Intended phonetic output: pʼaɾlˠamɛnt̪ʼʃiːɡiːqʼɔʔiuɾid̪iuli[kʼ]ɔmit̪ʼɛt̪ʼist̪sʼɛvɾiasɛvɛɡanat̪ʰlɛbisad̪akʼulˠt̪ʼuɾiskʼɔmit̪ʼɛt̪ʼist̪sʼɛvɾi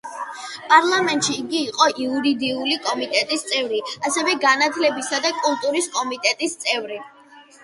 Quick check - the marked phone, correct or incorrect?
correct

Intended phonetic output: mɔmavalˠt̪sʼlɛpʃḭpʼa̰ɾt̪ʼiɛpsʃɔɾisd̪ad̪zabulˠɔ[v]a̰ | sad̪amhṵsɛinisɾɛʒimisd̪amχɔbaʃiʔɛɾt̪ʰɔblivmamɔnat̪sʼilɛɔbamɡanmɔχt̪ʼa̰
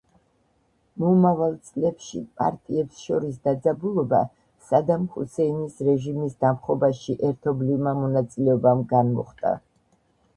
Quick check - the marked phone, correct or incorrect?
incorrect: b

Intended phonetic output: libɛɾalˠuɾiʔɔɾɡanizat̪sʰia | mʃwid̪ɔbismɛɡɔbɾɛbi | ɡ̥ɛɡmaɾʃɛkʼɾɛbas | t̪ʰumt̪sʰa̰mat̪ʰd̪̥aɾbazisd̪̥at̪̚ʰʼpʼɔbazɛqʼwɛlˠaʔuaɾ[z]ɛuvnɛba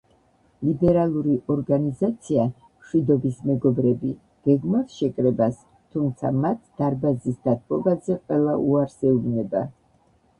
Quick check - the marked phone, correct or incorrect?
incorrect: s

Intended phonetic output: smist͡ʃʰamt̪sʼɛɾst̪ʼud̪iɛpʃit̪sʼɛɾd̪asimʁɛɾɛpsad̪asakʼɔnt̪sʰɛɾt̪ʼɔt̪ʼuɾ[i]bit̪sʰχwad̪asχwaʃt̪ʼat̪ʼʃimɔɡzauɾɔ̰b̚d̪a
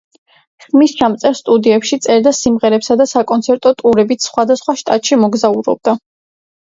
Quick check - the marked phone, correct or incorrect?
incorrect: ɛ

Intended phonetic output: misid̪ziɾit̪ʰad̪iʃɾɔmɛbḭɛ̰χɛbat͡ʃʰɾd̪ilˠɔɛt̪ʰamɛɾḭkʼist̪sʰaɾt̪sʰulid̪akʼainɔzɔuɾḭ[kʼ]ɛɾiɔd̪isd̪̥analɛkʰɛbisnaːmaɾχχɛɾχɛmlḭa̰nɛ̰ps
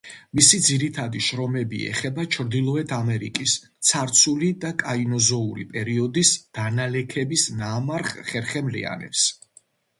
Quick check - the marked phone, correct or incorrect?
incorrect: pʼ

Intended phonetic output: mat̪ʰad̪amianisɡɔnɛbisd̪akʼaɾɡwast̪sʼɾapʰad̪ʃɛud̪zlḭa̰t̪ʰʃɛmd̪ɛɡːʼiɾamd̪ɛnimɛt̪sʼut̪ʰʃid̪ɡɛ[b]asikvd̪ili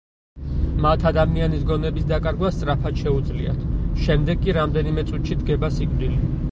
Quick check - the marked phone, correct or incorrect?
correct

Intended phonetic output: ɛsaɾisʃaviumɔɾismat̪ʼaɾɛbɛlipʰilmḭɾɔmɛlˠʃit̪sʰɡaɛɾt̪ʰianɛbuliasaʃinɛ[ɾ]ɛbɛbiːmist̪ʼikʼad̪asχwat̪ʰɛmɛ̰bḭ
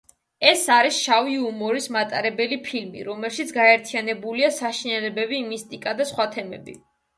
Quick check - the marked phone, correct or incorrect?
incorrect: l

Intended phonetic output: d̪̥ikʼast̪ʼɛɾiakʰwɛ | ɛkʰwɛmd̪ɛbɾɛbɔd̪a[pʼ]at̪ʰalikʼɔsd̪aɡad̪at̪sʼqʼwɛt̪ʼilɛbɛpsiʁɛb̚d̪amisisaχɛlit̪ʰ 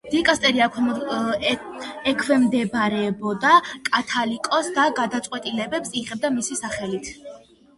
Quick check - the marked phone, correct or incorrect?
incorrect: kʼ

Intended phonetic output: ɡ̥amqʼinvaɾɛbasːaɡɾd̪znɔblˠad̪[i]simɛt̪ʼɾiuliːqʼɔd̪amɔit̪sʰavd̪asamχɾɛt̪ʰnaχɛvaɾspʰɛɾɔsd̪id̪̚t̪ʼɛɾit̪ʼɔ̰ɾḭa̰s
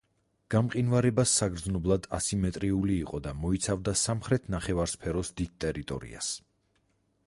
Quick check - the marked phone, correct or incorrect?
incorrect: a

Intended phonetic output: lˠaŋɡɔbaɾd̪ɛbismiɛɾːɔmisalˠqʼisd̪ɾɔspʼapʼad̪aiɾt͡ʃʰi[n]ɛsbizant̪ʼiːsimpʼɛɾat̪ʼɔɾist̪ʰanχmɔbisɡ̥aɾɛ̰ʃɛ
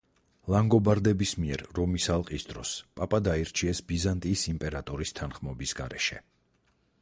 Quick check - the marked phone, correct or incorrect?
incorrect: none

